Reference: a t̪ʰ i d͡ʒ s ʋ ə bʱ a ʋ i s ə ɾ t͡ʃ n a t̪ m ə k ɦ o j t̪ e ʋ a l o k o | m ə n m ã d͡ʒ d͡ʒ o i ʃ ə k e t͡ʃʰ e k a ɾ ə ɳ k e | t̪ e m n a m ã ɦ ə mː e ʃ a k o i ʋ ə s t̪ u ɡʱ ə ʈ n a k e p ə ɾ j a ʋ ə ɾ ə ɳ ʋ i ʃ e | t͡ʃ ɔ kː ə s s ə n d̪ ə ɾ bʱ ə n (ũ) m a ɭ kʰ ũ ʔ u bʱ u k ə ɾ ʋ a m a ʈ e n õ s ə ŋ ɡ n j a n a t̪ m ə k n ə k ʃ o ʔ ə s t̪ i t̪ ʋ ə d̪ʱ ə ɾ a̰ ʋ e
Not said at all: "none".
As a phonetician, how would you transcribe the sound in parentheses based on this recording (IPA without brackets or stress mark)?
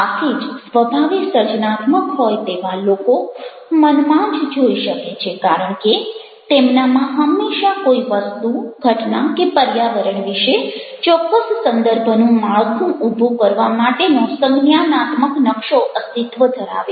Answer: ũ